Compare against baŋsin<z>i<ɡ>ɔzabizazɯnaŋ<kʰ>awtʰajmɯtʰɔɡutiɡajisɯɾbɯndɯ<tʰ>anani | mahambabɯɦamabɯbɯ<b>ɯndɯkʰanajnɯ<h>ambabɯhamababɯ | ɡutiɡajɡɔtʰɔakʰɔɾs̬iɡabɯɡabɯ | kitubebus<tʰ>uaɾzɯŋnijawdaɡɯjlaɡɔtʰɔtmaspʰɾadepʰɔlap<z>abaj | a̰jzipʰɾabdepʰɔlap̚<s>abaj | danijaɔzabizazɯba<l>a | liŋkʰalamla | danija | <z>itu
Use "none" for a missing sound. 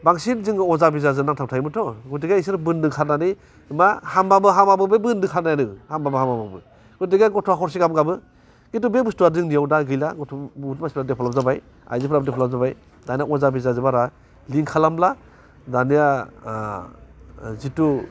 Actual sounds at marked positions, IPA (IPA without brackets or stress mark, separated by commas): z, ŋ, tʰ, kʰ, b, h, t, z, z, ɾ, z